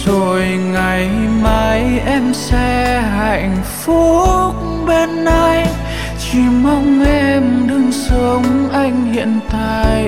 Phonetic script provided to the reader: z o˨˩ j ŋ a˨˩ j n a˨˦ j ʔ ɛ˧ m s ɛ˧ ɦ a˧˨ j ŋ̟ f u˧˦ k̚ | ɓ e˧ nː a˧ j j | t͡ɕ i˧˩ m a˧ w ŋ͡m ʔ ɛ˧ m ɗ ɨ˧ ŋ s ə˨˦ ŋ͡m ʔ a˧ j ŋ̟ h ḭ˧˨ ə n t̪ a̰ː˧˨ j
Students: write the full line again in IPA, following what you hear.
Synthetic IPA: z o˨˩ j ŋ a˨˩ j m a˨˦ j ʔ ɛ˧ m s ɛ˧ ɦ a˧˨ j ŋ̟ f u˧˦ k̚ | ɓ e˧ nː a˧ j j | t͡ɕ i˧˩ m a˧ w ŋ͡m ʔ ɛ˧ m ɗ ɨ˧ ŋ s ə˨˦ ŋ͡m ʔ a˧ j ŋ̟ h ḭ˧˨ ə n t̪ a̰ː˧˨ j